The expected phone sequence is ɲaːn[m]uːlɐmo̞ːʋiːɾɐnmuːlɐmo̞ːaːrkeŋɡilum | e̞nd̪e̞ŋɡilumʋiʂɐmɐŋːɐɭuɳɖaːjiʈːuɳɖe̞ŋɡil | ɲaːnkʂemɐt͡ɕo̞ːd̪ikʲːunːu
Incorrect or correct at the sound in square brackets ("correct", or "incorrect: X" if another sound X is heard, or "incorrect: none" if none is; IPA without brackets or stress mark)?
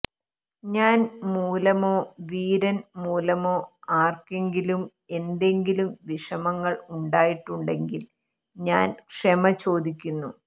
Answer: correct